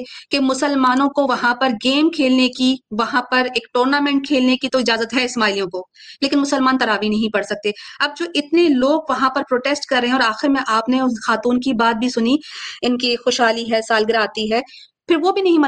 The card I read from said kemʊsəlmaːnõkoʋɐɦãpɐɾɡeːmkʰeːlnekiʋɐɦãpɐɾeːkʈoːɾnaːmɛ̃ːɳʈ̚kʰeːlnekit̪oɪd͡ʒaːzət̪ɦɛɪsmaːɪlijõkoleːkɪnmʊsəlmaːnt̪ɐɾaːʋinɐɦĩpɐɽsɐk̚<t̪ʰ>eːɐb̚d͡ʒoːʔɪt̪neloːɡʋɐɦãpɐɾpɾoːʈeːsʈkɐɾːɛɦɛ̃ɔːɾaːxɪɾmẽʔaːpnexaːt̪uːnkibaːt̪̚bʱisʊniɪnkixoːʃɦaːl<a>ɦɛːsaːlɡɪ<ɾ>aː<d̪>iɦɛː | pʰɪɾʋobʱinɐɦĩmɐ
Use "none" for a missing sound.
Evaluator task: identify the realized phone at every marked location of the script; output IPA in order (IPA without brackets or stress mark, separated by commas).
t̪, i, ɾ, t̪